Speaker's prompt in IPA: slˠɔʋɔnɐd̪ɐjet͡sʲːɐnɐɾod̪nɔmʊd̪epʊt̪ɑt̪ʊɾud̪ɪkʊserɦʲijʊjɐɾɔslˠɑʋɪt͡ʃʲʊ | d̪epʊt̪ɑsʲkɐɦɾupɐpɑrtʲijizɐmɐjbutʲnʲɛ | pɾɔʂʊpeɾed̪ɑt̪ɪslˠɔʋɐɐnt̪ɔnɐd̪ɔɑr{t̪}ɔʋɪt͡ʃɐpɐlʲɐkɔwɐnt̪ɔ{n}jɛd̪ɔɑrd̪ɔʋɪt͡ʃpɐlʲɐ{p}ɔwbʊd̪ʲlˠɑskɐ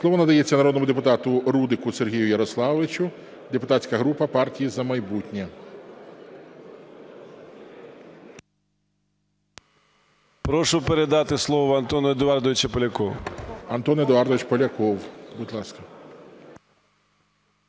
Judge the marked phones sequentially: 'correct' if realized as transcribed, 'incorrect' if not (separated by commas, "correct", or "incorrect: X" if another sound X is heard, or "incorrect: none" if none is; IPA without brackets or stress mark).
incorrect: d̪, correct, incorrect: k